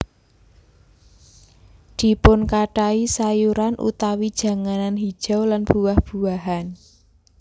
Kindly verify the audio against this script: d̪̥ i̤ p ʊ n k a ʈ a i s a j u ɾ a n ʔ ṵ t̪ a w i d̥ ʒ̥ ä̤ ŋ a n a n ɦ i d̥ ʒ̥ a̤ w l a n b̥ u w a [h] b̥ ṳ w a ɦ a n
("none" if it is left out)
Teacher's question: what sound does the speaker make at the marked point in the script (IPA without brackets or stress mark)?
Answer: h